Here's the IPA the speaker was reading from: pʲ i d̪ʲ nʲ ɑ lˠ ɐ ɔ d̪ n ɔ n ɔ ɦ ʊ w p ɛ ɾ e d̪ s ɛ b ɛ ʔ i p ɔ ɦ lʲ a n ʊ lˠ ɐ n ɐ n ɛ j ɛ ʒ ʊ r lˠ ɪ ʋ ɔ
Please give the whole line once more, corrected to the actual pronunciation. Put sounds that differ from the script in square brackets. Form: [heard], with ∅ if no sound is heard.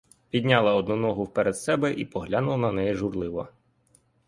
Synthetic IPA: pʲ i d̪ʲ nʲ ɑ lˠ ɐ ɔ d̪ n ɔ n ɔ ɦ ʊ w p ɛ ɾ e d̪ s ɛ b ɛ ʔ i p ɔ ɦ lʲ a n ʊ lˠ ɐ n ɐ n ɛ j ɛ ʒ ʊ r lˠ ɪ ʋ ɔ